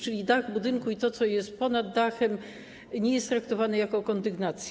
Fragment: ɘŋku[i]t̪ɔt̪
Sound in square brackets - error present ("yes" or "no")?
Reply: no